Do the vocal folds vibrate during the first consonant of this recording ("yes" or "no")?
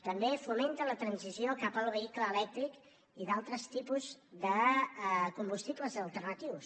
no